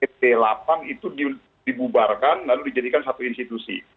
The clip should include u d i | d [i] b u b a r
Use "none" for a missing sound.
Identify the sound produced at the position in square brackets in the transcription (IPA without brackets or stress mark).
i